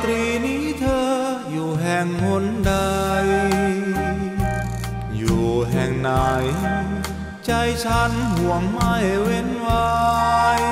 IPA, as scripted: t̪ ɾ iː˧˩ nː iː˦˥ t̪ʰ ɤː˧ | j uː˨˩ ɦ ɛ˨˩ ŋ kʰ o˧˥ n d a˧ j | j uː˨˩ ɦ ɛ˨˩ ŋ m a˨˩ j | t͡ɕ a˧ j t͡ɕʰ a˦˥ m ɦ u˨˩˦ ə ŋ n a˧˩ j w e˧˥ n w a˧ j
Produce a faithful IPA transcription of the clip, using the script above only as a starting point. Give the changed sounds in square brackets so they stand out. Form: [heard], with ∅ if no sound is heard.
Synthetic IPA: t̪ ɾ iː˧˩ [n] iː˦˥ t̪ʰ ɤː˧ | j uː˨˩ ɦ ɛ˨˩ ŋ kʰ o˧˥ n d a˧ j | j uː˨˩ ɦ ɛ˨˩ ŋ [n] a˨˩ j | t͡ɕ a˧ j t͡ɕʰ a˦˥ [n] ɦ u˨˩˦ ə ŋ [m] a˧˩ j w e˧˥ n w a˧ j